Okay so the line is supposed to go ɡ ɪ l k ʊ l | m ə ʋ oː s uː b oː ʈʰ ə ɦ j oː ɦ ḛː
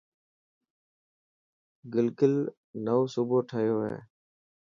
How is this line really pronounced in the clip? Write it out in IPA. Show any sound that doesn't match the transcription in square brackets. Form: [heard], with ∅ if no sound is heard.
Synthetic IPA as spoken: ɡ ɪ l k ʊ l | [n] ə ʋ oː s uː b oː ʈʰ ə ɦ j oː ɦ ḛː

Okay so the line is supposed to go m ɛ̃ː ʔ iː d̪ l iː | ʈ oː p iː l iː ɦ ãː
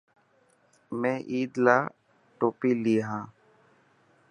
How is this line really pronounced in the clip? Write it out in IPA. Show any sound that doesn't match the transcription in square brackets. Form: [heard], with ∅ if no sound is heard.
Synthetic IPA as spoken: m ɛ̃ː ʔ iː d̪ l [aː] | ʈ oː p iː l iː ɦ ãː

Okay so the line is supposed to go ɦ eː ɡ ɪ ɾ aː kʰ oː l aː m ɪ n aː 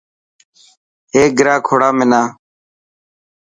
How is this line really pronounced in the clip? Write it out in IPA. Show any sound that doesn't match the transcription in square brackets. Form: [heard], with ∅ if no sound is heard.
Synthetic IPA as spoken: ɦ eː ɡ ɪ ɾ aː kʰ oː [ɽ] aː m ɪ n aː

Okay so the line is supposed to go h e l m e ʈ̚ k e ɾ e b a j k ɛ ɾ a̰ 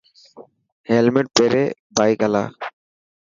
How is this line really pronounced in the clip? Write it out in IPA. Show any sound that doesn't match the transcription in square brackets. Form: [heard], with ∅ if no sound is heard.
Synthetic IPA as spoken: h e l m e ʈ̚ [p] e ɾ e b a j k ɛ [l] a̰

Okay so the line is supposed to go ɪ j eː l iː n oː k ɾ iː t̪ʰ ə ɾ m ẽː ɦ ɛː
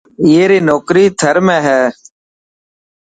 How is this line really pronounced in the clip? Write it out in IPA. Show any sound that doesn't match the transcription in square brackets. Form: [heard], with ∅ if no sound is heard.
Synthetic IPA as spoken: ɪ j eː [ɾ] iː n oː k ɾ iː t̪ʰ ə ɾ m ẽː ɦ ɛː

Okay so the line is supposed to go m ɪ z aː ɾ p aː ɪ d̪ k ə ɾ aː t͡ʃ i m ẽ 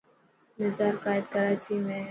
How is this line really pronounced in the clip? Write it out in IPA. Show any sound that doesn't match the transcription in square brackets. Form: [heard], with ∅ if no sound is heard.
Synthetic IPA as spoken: m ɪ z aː ɾ [k] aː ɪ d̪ k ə ɾ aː t͡ʃ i m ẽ

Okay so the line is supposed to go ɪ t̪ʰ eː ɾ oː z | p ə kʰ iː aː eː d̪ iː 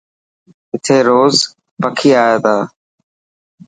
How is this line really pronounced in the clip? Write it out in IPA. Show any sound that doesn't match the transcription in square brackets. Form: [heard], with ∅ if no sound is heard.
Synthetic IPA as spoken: ɪ t̪ʰ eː ɾ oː z | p ə kʰ iː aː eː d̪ [aː]

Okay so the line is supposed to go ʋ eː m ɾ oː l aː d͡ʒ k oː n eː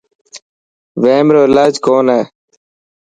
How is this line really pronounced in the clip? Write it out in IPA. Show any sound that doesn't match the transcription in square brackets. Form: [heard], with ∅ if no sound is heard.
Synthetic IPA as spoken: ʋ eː m ɾ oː l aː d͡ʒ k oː n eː

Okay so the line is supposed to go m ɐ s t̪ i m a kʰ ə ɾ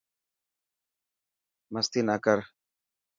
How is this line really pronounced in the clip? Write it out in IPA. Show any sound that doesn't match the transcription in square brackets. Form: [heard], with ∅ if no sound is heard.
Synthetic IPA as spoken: m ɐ s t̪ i [n] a [k] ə ɾ

